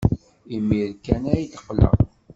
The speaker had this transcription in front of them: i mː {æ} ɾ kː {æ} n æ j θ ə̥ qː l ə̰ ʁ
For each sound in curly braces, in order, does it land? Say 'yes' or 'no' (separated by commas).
no, yes